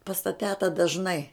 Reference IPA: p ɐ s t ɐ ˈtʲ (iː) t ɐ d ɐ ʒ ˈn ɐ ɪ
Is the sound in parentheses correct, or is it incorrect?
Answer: incorrect